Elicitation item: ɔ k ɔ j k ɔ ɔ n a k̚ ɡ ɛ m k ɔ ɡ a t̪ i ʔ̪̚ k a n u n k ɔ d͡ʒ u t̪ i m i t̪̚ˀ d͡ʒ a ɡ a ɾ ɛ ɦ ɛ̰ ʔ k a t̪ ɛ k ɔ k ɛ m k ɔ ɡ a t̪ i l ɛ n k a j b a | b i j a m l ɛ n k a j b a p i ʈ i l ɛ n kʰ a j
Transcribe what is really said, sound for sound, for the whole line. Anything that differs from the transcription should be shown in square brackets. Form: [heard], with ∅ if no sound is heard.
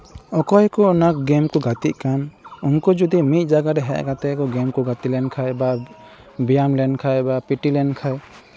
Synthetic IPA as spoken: ɔ k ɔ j k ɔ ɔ n a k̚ ɡ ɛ m k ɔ ɡ a t̪ i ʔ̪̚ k a n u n k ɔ d͡ʒ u [d̪] i m i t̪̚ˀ d͡ʒ a ɡ a ɾ ɛ ɦ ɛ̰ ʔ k a t̪ ɛ k ɔ [ɡ] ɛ m k ɔ ɡ a t̪ i l ɛ n [kʰ] a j b a | b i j a m l ɛ n [kʰ] a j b a p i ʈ i l ɛ n kʰ a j